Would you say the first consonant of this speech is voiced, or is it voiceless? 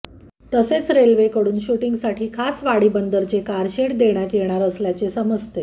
voiceless